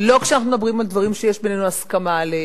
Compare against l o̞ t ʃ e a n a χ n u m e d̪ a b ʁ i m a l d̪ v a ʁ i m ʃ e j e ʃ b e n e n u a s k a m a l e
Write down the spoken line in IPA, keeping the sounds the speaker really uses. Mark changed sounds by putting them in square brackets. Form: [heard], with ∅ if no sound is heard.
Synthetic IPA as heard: l o̞ [k] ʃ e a n a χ n u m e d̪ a b ʁ i m a l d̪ v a ʁ i m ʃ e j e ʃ b e n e n u a s k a m a l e